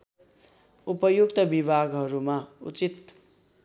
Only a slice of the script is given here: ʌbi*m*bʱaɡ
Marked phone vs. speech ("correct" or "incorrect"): incorrect